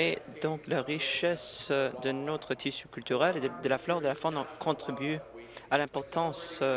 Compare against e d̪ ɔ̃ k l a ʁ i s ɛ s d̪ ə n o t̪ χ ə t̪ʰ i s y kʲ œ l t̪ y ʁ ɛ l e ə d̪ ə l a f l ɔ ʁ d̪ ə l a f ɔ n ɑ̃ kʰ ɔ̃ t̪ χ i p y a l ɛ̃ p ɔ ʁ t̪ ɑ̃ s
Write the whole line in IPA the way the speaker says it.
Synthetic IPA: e d̪ ɔ̃ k l a ʁ i ʃ ɛ s d̪ ə n o t̪ χ ə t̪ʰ i s y kʲ y l t̪ y ʁ ɛ l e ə d̪ ə l a f l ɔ ʁ d̪ ə l a f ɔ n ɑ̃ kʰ ɔ̃ t̪ χ i b y a l ɛ̃ p ɔ ʁ t̪ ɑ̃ s